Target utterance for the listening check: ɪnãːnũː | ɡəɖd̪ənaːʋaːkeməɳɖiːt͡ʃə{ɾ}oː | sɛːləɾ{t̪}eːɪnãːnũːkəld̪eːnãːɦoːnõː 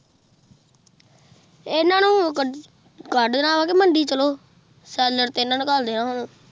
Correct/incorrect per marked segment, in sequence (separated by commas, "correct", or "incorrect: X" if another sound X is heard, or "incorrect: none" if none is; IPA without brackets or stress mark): incorrect: l, correct